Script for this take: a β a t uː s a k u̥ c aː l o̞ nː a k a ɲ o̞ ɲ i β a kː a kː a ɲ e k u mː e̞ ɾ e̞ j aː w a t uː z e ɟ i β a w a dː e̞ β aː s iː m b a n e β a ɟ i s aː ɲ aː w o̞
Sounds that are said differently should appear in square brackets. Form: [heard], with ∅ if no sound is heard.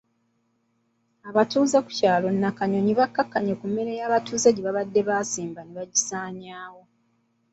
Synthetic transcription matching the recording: a β a t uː [z] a k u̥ c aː l o̞ nː a k a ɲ o̞ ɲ i β a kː a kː a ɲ e k u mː e̞ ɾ e̞ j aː [β] a t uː z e ɟ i β a [β] a dː e̞ β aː s iː m b a n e β a ɟ i s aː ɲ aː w o̞